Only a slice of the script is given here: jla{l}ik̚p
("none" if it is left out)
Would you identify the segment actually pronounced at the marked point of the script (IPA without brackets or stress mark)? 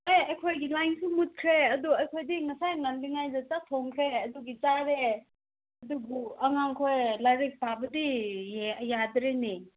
ɾ